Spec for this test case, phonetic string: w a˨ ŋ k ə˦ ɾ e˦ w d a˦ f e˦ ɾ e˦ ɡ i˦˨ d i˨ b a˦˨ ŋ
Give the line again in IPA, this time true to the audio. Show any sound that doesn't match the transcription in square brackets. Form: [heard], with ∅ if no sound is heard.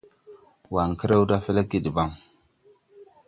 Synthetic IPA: w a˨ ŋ k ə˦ ɾ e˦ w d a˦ f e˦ [l] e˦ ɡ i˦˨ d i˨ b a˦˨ ŋ